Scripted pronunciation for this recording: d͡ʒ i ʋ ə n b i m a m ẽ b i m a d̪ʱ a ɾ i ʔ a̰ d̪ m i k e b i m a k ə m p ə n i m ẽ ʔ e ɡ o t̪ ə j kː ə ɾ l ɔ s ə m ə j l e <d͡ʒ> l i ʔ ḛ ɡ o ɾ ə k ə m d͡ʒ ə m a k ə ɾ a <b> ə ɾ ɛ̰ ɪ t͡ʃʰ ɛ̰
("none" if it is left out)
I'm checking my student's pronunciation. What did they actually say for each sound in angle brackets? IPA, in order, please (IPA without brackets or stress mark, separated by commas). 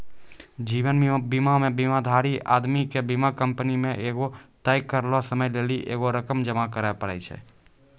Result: none, p